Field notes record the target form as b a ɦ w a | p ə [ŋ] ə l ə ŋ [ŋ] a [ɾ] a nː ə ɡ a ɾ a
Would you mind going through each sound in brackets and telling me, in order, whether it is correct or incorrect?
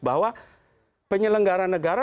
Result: incorrect, incorrect, correct

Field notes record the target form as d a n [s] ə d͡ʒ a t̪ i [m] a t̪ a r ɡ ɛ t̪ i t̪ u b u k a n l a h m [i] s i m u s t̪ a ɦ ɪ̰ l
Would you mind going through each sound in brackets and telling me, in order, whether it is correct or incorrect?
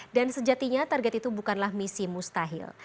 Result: correct, incorrect, correct

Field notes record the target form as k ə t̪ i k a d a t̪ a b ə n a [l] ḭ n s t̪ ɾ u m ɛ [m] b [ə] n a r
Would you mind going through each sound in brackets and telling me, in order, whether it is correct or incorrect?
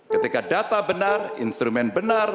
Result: incorrect, incorrect, correct

